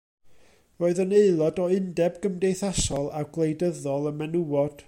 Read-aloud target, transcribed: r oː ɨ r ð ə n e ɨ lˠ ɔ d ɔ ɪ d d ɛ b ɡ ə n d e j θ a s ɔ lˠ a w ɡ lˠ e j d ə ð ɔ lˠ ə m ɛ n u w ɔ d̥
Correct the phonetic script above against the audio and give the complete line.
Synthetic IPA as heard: r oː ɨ ð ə n e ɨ lˠ ɔ d ɔ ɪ n d ɛ b ɡ ə m d e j θ a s ɔ lˠ a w ɡ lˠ e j d ə ð ɔ lˠ ə m ɛ n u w ɔ d̥